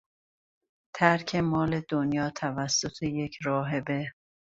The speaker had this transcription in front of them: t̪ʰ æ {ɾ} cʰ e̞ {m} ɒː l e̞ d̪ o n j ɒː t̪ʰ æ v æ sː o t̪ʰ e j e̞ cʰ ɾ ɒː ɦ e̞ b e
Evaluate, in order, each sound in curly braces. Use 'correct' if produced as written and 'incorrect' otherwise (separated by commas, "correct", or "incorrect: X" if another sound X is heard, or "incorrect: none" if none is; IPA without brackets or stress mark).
correct, correct